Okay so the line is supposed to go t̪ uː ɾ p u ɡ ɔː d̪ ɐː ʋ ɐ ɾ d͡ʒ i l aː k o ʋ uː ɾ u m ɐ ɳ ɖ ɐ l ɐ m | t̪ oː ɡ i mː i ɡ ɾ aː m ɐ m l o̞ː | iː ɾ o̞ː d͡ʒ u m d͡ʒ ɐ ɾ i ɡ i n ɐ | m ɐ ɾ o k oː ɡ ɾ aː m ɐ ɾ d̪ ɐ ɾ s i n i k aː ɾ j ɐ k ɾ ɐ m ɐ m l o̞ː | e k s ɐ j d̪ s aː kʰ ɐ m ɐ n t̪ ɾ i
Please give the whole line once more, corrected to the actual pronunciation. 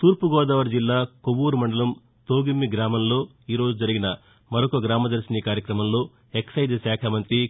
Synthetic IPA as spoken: t̪ uː ɾ p u ɡ ɔː d̪ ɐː ʋ ɐ ɾ d͡ʒ i lː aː k o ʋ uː ɾ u m ɐ ɳ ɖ ɐ l ɐ m | t̪ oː ɡ i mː i ɡ ɾ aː m ɐ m l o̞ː | iː ɾ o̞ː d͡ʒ u d͡ʒ ɐ ɾ i ɡ i n ɐ | m ɐ ɾ o k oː ɡ ɾ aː m ɐ d̪ ɐ ɾ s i n i k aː ɾ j ɐ k ɾ ɐ m ɐ m l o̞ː | e k s ɐ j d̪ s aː kʰ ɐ m ɐ n t̪ ɾ i